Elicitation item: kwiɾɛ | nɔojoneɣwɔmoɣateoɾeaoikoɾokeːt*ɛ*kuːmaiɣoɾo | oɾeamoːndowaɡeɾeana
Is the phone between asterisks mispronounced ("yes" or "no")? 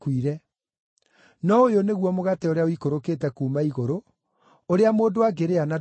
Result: no